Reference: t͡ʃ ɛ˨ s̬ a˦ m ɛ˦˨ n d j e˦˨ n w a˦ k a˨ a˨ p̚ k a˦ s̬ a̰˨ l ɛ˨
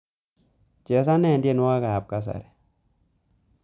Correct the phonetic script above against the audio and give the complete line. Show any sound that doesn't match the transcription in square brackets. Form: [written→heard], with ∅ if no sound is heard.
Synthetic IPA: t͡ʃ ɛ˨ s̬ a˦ [m→n] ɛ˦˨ n d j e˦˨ n w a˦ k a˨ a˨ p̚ k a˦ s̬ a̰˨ [l→ɾ] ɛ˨